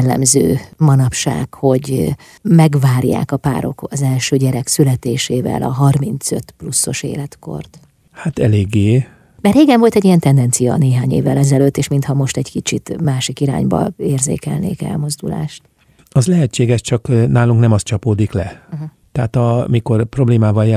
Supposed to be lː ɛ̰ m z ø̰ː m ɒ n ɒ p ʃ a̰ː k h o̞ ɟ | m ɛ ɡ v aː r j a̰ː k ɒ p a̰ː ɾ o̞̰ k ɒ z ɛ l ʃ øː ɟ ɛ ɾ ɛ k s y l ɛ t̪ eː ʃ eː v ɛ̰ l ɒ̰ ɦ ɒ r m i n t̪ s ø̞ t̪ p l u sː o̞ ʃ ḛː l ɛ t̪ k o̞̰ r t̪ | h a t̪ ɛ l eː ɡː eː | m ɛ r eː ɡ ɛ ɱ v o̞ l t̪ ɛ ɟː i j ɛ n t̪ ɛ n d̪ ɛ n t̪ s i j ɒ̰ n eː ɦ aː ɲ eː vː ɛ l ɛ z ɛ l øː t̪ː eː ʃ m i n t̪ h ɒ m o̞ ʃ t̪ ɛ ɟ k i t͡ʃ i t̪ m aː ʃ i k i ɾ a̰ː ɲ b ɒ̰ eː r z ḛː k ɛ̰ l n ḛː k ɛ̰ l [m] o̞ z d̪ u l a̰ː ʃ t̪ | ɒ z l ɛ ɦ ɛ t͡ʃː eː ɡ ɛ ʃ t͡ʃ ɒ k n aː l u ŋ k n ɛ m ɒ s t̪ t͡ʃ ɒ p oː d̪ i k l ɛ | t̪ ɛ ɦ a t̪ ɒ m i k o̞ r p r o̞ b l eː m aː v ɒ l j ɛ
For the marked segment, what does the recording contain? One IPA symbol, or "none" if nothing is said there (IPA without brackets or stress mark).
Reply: m